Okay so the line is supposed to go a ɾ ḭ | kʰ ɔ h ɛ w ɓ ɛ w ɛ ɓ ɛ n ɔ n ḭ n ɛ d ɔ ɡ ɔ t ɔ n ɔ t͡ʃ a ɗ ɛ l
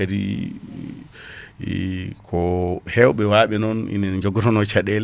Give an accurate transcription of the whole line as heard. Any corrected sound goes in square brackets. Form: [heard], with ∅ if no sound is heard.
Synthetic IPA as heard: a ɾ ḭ | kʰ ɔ h ɛ w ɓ ɛ w [a] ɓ ɛ n ɔ n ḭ n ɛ [d͡ʒ] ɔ ɡ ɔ t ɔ n ɔ t͡ʃ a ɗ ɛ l